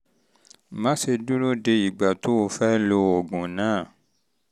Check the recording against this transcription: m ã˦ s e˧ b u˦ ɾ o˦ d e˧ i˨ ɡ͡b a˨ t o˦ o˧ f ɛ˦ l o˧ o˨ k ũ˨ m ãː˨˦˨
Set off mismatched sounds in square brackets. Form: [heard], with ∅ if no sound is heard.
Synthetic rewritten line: m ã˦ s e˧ [d] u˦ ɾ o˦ d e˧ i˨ ɡ͡b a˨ t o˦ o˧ f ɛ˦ l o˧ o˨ [ɡ] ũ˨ [n] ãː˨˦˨

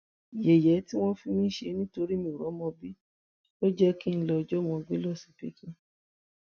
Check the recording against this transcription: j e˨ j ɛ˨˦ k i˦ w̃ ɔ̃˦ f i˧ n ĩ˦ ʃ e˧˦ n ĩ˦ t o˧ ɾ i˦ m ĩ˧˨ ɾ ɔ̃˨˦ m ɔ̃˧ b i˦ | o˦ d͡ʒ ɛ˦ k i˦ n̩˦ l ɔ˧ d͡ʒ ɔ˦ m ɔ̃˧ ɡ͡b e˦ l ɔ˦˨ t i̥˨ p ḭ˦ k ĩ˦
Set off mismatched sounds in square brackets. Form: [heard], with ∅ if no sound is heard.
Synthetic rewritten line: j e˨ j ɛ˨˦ [t] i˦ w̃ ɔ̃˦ f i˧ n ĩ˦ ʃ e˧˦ n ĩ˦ t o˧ ɾ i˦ m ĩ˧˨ ɾ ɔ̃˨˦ m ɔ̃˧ b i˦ | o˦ d͡ʒ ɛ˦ k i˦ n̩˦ l ɔ˧ d͡ʒ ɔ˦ m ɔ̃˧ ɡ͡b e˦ l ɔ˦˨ [s] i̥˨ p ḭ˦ k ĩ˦

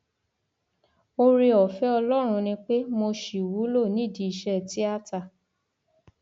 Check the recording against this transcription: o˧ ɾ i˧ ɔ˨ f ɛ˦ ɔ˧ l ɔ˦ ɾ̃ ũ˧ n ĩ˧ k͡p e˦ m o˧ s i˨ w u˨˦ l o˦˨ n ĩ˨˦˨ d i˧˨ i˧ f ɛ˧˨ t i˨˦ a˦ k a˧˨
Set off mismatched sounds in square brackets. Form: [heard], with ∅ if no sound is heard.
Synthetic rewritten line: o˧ ɾ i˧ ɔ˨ f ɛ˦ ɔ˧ l ɔ˦ ɾ̃ ũ˧ n ĩ˧ k͡p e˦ m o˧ [ʃ] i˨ w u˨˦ l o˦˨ n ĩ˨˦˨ d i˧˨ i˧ [ʃ] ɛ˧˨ t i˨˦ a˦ [t] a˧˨

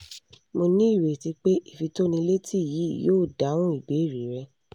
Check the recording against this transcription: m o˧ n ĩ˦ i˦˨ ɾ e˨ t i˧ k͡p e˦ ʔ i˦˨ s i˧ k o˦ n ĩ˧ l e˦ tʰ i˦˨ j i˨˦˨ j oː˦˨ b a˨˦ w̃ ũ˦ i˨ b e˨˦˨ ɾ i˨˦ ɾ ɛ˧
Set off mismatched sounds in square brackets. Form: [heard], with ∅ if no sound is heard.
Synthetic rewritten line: m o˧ n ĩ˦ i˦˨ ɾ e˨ t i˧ k͡p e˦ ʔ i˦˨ [f] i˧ [t] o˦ n ĩ˧ l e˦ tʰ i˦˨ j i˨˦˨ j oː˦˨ [d] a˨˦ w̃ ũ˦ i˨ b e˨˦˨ ɾ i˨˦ ɾ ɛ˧

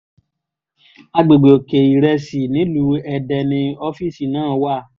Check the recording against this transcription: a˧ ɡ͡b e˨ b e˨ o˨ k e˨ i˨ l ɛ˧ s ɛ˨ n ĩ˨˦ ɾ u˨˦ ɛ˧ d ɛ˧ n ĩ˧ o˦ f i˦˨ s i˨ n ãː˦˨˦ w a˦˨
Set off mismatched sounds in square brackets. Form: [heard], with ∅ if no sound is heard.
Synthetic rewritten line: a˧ ɡ͡b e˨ [ɡ͡b] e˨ o˨ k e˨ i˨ [ɾ] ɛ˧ s [i˨] n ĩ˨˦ [l] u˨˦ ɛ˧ d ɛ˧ n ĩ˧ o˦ f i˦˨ s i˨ n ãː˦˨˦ w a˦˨

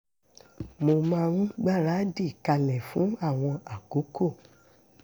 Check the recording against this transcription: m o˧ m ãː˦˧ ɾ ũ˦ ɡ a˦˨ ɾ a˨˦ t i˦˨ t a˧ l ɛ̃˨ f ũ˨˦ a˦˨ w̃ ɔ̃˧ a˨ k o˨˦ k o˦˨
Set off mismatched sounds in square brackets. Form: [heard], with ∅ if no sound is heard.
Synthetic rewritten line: m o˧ m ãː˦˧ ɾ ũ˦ [ɡ͡b] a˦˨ ɾ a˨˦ [d] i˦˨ [k] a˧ l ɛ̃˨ f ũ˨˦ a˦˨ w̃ ɔ̃˧ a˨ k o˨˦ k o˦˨

